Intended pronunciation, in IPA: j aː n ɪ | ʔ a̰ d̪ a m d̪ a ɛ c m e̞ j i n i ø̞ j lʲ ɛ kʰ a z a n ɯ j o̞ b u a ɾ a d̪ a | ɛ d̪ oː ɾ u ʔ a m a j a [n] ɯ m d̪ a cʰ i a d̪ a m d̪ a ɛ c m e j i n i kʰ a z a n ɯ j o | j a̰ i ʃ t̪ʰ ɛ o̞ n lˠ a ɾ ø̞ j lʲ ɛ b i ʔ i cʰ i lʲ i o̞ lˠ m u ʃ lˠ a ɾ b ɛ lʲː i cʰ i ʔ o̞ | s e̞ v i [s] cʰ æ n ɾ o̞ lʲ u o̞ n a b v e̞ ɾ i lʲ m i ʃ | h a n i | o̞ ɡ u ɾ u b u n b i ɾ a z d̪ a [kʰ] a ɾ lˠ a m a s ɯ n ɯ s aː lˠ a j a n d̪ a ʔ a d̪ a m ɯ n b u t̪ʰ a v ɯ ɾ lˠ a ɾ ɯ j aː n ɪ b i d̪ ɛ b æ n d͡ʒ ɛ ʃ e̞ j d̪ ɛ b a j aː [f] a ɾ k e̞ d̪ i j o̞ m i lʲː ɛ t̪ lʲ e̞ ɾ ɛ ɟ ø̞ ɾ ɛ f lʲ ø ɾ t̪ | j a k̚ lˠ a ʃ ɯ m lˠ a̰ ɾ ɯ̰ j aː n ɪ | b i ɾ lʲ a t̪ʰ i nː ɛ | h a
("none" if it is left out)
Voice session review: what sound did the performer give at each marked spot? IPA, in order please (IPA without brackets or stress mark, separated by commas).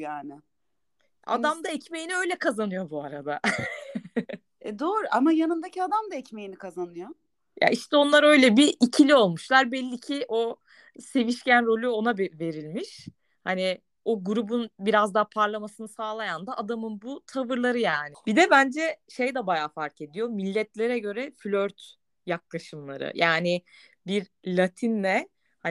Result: n, ʃ, pʰ, f